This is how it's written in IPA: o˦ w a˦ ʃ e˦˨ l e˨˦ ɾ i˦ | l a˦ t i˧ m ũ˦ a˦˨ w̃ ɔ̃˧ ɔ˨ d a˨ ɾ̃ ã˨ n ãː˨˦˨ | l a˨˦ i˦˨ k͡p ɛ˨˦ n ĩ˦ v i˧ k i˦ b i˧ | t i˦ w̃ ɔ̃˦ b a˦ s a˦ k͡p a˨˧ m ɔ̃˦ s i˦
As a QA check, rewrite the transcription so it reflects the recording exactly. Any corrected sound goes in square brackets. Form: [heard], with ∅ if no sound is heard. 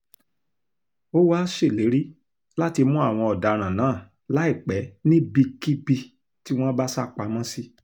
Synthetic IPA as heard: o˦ w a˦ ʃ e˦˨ l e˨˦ ɾ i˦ | l a˦ t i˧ m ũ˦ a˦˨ w̃ ɔ̃˧ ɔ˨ d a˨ ɾ̃ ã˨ n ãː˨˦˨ | l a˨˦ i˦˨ k͡p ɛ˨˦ n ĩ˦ [b] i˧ k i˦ b i˧ | t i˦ w̃ ɔ̃˦ b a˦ s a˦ k͡p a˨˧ m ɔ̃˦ s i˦